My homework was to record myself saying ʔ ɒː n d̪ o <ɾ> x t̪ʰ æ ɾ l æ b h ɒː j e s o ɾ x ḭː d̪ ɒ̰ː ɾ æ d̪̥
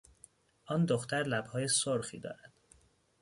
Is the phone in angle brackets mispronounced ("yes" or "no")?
yes